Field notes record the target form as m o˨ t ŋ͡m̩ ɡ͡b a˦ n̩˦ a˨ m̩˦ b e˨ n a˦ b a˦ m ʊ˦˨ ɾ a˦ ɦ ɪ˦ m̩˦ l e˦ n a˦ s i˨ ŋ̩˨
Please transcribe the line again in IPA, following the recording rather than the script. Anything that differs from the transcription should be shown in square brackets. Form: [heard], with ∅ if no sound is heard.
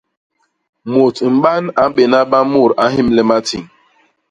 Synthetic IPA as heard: m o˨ t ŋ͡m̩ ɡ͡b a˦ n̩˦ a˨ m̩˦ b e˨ n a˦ b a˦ m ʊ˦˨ ɾ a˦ ɦ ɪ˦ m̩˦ l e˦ [m] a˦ [t] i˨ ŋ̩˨